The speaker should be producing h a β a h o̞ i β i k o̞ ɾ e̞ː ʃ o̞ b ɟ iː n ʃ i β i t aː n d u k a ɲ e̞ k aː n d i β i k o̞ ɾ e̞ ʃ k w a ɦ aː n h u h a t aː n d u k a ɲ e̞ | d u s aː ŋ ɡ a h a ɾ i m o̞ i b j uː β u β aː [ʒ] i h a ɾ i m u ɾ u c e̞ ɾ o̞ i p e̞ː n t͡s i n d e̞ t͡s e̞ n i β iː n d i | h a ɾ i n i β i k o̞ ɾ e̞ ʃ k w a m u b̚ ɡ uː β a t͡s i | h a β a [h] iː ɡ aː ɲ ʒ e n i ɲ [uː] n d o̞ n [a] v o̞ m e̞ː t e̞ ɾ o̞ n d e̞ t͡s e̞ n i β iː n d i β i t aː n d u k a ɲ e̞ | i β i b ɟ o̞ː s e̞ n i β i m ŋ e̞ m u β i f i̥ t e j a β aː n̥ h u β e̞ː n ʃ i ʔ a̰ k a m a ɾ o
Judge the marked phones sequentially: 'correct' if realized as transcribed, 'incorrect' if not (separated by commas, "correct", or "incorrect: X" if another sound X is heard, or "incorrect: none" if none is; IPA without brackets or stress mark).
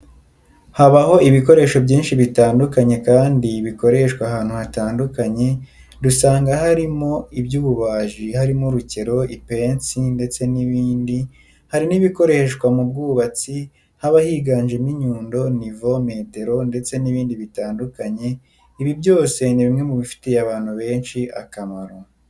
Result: correct, correct, correct, incorrect: i